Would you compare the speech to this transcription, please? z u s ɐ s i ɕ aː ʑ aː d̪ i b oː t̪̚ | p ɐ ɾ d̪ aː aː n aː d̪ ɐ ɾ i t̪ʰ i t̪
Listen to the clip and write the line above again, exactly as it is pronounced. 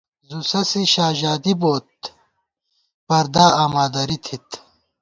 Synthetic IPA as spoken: z u s ɐ s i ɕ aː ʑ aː d̪ i b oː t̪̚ | p ɐ ɾ d̪ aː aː m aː d̪ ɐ ɾ i t̪ʰ i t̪